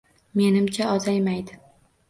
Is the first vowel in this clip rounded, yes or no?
no